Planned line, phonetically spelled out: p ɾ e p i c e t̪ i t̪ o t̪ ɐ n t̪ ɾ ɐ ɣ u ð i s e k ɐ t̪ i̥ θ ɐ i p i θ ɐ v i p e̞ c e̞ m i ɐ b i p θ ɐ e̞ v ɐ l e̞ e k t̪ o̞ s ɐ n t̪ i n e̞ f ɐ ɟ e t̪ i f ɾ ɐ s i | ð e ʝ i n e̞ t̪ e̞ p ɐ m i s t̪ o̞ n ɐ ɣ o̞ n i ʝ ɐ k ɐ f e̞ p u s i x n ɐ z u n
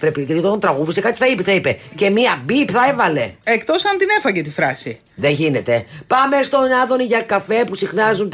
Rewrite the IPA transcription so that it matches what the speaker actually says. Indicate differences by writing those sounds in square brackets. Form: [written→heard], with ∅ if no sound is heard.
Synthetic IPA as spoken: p ɾ e p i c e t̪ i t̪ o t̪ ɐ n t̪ ɾ ɐ ɣ u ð i s e k ɐ t̪ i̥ θ ɐ i p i θ ɐ [v→∅] i p e̞ c e̞ m i ɐ b i p θ ɐ e̞ v ɐ l e̞ e k t̪ o̞ s ɐ n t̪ i n e̞ f ɐ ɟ e t̪ i f ɾ ɐ s i | ð e ʝ i n e̞ t̪ e̞ p ɐ m [i→e] s t̪ o̞ n ɐ [ɣ→ð] o̞ n i ʝ ɐ k ɐ f e̞ p u s i x n ɐ z u n